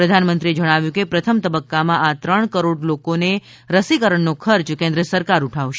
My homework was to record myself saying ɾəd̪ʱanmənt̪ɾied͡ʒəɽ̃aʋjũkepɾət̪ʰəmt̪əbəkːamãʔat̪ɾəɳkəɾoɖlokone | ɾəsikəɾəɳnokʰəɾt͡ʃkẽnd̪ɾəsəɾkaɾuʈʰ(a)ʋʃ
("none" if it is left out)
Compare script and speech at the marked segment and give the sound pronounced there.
a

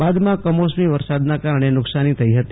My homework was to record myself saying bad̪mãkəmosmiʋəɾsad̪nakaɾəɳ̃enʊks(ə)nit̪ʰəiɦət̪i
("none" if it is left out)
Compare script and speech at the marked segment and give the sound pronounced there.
a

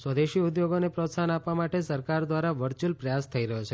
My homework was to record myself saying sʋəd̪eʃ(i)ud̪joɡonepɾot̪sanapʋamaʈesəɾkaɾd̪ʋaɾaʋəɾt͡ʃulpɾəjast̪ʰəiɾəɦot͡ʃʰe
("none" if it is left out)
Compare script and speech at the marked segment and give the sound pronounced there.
i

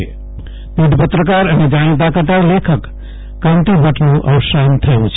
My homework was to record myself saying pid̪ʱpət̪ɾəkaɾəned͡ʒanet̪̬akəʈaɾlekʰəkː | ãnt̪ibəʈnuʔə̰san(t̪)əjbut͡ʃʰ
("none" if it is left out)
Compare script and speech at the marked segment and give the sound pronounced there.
t̪ʰ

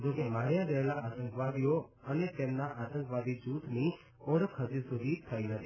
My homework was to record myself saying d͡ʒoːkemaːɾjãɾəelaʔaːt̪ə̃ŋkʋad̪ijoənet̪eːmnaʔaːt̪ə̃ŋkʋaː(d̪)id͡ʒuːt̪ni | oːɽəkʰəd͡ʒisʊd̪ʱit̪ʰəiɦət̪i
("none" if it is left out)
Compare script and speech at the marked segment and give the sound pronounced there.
d̪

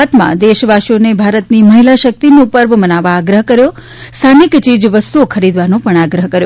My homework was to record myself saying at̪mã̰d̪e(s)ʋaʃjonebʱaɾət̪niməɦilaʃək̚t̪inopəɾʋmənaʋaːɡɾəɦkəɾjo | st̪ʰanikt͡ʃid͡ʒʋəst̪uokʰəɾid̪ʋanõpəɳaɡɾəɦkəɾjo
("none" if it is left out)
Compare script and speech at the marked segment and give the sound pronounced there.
ʃ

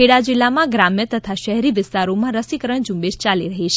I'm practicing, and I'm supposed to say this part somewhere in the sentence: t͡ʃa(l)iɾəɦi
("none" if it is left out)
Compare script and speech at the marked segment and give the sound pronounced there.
l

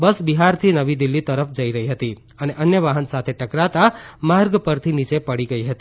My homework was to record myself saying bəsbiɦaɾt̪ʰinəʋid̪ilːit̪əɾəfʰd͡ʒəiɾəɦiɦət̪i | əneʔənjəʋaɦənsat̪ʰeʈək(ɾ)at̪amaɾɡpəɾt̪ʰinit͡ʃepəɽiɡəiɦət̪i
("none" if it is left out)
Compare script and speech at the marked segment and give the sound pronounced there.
ɾ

